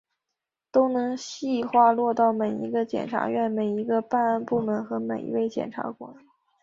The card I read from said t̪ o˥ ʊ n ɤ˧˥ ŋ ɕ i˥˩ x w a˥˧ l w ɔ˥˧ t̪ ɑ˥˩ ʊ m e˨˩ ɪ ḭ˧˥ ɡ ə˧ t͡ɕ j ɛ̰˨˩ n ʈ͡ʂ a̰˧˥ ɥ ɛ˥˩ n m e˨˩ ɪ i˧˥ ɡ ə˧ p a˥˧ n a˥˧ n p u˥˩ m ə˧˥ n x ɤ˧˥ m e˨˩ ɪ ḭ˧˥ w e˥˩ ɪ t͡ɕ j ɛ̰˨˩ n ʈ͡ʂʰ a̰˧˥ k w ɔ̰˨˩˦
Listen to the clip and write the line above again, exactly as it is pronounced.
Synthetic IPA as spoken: t̪ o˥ ʊ n ɤ˧˥ ŋ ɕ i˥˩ x w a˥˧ l w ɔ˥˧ t̪ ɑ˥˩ ʊ m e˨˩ ɪ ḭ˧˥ ɡ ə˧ t͡ɕ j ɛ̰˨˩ n ʈ͡ʂʰ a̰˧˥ ɥ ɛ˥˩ n m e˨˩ ɪ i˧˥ ɡ ə˧ p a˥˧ n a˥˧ n p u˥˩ m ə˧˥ n x ɤ˧˥ m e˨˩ ɪ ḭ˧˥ w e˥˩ ɪ t͡ɕ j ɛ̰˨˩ n ʈ͡ʂʰ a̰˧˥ k w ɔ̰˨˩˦